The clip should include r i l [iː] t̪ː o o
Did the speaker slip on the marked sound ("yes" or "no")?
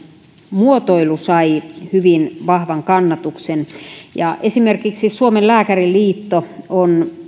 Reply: no